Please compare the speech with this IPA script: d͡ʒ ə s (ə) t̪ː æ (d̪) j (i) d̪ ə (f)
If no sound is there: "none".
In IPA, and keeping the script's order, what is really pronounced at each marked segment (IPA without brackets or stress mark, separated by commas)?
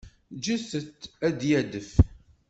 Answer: ə, d̪, æ, f